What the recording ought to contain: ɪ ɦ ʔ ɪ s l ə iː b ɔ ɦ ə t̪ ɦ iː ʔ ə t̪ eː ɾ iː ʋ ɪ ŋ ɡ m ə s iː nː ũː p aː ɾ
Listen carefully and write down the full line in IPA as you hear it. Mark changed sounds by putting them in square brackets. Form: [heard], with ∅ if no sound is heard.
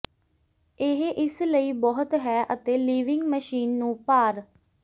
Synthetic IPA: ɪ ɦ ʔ ɪ s l ə iː b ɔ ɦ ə t̪ ɦ [ɛː] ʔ ə t̪ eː [l] iː ʋ ɪ ŋ ɡ m ə [ʃ] iː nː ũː p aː ɾ